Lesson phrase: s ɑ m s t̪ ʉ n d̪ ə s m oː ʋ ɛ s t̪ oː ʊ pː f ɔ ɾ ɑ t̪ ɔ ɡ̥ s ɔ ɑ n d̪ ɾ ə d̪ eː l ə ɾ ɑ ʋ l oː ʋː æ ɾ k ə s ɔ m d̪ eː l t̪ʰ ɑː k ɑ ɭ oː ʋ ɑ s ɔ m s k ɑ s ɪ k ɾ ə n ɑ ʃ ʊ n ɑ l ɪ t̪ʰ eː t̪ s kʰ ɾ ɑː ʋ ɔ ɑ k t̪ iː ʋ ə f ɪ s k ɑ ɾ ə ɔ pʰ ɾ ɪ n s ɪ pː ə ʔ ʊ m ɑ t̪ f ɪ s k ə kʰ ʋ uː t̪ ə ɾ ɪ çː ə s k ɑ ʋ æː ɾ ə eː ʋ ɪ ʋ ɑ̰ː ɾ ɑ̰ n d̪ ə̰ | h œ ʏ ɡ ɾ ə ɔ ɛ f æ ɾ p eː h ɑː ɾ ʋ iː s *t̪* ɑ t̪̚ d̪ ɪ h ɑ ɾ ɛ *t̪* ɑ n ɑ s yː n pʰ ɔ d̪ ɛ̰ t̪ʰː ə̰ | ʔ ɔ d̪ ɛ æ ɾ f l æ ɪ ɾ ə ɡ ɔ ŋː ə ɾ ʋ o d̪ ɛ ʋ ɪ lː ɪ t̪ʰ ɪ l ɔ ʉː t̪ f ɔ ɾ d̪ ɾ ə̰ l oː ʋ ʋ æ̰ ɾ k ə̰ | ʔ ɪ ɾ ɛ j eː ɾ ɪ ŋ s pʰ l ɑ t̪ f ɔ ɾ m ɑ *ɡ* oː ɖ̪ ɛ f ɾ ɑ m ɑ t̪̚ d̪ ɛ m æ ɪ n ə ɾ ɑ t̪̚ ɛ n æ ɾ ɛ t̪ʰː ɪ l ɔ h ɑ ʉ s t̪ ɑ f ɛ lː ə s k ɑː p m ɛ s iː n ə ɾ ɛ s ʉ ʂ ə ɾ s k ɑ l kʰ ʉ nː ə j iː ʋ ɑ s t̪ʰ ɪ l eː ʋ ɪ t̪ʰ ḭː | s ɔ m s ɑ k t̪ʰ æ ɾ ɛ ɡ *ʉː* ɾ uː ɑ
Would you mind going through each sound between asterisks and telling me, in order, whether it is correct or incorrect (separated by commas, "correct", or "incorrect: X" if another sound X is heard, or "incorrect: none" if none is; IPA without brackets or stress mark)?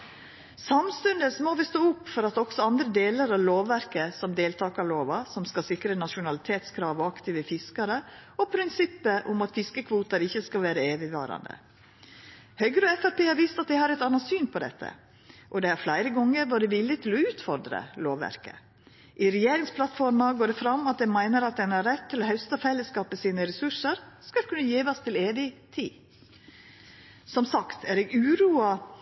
correct, correct, correct, correct